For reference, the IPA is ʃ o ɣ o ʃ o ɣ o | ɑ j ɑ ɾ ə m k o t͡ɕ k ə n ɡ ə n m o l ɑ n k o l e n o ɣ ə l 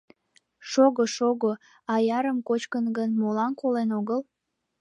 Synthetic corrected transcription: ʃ o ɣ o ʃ o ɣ o | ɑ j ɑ ɾ ə m k o t͡ɕ k ə n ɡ ə n m o l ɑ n k o l e n o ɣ ə l